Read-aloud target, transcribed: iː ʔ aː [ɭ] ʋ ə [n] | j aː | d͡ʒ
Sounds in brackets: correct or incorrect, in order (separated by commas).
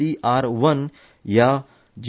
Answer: incorrect, correct